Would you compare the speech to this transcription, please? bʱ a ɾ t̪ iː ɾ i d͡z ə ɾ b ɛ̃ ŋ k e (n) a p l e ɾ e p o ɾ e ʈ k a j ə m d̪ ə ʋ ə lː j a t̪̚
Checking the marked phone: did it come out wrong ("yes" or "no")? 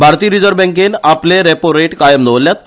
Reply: no